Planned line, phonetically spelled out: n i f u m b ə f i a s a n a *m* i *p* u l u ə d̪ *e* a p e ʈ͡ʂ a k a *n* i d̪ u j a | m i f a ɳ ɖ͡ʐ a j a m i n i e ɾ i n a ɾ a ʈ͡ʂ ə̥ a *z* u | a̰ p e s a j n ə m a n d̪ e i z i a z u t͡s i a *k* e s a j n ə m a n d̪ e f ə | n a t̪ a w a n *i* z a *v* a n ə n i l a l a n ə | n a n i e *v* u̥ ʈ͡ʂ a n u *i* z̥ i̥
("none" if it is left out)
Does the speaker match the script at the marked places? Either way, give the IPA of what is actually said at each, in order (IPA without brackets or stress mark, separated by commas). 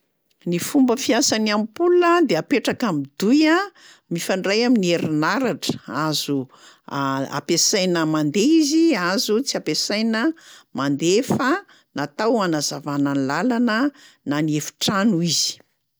m, p, e, m, z, p, a, v, f, i